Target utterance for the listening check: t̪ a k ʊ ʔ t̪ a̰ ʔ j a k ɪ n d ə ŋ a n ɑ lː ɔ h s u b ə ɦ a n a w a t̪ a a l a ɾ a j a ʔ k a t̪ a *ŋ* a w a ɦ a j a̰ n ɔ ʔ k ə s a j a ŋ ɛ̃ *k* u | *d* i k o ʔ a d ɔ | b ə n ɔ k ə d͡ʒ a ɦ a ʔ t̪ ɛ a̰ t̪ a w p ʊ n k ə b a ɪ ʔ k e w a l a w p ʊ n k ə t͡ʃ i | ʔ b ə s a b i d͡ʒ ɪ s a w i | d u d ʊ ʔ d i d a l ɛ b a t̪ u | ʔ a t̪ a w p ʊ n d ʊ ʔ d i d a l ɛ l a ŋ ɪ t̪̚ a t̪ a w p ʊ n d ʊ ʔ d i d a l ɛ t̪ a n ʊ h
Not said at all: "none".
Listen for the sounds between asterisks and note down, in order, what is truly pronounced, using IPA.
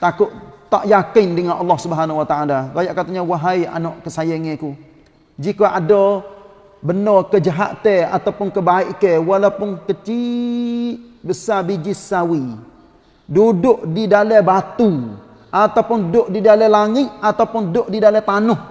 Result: ɲ, k, d͡ʒ

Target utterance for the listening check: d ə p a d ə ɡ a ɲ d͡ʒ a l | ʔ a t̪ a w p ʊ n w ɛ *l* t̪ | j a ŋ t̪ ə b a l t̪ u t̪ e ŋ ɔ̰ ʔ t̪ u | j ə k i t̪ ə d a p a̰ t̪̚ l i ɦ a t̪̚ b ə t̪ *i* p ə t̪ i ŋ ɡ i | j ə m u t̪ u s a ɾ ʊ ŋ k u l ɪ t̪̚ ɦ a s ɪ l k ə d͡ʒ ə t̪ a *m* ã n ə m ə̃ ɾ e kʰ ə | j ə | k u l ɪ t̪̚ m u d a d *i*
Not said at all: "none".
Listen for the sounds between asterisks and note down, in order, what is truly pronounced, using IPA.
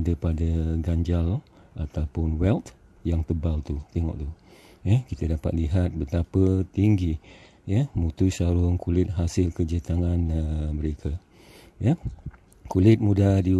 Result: l, a, ŋ, i

